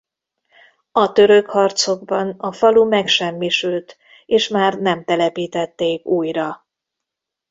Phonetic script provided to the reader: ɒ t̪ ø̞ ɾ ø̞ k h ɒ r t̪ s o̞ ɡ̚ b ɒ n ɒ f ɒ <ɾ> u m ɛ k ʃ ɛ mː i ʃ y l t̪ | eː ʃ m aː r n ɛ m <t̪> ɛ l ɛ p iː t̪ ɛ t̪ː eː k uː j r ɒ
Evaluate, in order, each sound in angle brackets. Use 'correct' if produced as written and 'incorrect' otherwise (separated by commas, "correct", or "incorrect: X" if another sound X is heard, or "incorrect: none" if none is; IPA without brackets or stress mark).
incorrect: l, correct